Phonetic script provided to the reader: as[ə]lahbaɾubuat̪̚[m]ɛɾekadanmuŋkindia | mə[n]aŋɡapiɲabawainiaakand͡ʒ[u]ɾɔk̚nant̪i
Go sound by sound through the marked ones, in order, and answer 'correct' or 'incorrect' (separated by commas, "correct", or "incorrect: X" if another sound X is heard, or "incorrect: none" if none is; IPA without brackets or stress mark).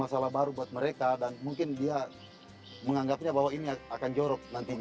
incorrect: a, correct, incorrect: ŋ, incorrect: ɔ